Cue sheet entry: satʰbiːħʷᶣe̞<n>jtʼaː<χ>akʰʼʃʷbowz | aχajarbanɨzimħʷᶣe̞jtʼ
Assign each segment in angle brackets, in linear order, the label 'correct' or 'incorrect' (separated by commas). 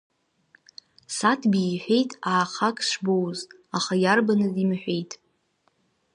incorrect, correct